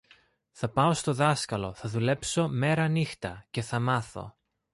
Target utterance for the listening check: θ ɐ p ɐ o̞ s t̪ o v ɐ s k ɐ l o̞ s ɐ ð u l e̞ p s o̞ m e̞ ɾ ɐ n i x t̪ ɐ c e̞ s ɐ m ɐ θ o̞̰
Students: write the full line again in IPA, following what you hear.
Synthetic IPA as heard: θ ɐ p ɐ o̞ s t̪ o ð ɐ s k ɐ l o̞ θ ɐ ð u l e̞ p s o̞ m e̞ ɾ ɐ n i x t̪ ɐ c e̞ θ ɐ m ɐ θ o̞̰